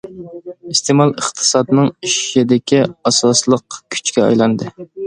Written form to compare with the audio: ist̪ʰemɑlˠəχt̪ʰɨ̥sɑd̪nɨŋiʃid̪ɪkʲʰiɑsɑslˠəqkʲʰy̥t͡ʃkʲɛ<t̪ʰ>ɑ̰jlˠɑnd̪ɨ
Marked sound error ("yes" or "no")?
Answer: yes